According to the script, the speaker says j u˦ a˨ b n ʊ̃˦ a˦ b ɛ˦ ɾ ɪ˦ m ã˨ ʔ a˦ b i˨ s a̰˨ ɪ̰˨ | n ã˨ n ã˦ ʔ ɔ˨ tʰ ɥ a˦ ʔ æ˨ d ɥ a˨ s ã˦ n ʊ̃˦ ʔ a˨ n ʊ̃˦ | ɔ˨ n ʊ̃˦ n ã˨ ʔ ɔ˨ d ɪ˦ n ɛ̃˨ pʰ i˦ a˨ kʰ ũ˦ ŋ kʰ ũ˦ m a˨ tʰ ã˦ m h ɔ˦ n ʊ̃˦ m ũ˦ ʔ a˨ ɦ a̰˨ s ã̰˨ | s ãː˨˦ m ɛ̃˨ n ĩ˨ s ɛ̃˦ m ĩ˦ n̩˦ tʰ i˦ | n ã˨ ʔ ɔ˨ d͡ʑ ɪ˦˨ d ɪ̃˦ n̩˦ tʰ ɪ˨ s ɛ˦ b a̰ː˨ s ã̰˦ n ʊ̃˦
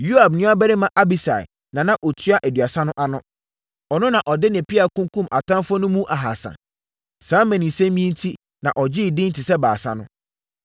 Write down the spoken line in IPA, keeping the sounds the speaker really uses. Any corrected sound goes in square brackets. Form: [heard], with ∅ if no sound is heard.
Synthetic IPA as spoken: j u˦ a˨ b n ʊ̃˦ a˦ b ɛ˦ ɾ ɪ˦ m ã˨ ʔ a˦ b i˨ s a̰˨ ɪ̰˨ | n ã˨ n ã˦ ʔ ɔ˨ tʰ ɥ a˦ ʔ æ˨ d ɥ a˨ s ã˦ n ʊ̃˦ ʔ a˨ n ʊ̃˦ | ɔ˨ n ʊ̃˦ n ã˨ ʔ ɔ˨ d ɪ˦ n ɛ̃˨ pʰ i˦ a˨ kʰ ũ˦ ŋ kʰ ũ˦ m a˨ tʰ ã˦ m [f] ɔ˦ n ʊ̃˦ m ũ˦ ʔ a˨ ɦ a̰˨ s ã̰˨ | s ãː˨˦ m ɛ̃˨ n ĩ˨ s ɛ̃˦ m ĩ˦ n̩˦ tʰ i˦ | n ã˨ ʔ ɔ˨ d͡ʑ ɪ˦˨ d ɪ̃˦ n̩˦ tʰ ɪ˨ s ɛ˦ b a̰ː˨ s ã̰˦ n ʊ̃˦